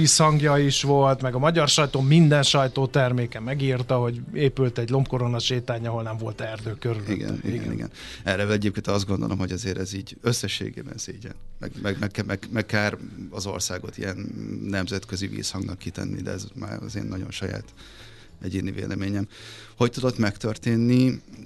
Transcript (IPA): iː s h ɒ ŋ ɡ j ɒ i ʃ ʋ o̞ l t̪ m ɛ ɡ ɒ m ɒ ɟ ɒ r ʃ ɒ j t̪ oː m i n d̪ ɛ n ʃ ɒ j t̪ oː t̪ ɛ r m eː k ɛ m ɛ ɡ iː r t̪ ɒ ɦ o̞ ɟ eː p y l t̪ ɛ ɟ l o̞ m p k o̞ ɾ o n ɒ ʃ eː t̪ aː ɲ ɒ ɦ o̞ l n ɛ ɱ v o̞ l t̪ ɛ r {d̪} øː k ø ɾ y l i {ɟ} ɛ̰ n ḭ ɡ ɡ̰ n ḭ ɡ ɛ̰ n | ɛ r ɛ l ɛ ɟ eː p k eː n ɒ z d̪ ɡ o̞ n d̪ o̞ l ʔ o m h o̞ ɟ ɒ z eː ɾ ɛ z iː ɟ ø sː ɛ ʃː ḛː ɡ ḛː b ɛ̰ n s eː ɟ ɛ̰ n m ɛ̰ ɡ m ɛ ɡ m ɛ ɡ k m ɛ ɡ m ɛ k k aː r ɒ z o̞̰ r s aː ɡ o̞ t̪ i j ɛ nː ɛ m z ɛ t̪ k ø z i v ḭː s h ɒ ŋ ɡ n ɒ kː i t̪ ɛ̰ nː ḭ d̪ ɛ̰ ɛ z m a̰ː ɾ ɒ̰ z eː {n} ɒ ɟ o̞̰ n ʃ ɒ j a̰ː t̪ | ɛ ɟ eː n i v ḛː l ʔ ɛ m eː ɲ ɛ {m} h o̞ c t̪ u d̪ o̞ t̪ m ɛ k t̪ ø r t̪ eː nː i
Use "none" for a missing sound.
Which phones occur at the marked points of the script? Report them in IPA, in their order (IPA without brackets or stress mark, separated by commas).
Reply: d̪, ɡ, nː, m